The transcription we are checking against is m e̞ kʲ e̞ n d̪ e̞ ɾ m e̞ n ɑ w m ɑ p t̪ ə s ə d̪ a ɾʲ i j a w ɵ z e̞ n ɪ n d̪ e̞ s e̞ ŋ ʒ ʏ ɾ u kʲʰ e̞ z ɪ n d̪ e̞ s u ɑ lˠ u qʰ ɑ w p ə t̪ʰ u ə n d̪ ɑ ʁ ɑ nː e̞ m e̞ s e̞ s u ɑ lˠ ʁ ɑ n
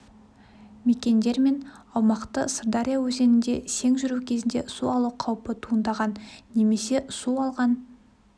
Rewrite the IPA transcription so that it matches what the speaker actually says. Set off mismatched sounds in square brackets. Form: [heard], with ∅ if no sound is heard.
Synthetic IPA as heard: m e̞ kʲ e̞ n d̪ e̞ ɾ m e̞ n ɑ w m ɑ [q] t̪ ə s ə d̪ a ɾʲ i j a w ɵ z e̞ n ɪ n d̪ e̞ s e̞ ŋ ʒ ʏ ɾ u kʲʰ e̞ z ɪ n d̪ e̞ s u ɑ lˠ u qʰ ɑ w p ə t̪ʰ u ə n d̪ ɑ ʁ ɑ nː e̞ m e̞ s e̞ s u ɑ lˠ ʁ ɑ n